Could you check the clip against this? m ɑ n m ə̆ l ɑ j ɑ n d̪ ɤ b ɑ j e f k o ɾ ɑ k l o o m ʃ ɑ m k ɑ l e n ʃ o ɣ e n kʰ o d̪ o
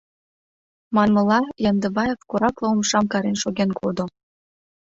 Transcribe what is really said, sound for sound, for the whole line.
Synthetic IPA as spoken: m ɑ n m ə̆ l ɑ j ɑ n d̪ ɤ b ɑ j e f k o ɾ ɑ k l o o m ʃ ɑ m k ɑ ɾ e n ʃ o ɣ e n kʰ o d̪ o